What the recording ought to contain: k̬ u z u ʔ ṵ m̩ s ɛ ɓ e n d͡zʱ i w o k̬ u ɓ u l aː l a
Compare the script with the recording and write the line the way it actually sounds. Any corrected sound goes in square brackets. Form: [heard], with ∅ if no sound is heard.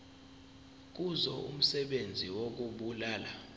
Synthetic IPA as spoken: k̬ u z [ɔ] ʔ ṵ m̩ s ɛ ɓ e n d͡zʱ i w o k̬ u ɓ u l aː l a